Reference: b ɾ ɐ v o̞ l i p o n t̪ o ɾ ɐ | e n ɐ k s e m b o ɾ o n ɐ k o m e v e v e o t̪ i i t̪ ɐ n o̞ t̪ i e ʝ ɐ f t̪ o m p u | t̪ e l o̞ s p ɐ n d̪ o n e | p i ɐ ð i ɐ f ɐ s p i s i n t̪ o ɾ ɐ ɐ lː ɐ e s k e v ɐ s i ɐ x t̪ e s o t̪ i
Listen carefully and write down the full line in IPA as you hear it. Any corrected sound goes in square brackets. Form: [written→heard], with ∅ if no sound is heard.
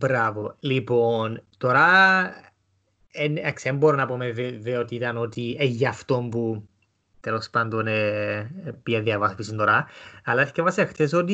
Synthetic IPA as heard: b ɾ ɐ v o̞ l i p o n t̪ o ɾ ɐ | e n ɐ k s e m b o ɾ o n ɐ [k→p] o m e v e v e o t̪ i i t̪ ɐ n o̞ t̪ i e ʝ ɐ f t̪ o m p u | t̪ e l o̞ s p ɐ n d̪ o n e | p i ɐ ð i ɐ [f→v] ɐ s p i s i n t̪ o ɾ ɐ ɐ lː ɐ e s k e v ɐ s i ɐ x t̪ e s o t̪ i